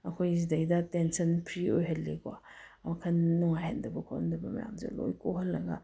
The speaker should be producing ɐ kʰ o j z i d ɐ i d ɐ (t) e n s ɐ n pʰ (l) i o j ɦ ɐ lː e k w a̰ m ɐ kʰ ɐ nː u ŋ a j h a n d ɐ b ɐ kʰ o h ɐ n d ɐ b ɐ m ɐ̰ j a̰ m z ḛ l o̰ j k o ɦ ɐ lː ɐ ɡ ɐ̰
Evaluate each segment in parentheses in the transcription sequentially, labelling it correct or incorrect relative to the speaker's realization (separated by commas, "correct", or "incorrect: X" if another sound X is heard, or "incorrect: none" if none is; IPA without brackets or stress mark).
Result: correct, incorrect: ɾ